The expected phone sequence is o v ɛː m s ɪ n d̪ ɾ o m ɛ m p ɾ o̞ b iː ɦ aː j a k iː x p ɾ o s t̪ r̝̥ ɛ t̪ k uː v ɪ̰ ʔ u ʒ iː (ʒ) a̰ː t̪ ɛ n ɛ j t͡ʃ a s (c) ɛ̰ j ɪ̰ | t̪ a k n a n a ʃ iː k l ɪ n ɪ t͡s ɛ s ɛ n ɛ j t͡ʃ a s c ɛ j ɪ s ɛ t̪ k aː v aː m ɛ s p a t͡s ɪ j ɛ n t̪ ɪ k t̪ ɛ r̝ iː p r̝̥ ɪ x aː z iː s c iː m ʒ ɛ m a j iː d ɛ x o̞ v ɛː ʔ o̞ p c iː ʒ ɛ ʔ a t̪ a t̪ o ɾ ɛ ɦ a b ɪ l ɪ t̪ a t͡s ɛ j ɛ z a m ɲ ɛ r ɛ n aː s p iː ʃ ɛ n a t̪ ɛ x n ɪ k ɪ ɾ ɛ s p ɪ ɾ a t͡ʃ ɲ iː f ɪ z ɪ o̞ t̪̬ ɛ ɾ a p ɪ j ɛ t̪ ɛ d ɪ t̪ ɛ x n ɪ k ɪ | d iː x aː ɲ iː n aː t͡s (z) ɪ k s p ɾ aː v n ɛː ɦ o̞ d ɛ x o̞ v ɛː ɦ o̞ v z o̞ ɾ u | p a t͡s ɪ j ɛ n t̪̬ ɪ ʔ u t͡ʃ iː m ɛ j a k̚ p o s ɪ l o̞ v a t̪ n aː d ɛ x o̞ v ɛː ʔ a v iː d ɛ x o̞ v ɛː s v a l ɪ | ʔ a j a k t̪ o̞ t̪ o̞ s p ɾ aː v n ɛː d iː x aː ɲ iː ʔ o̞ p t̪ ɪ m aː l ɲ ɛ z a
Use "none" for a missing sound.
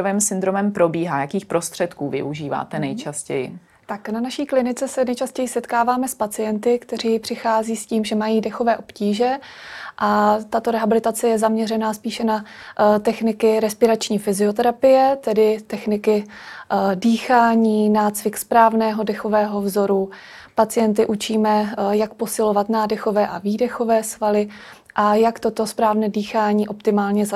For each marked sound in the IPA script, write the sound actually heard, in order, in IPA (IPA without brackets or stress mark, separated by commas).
v, c, v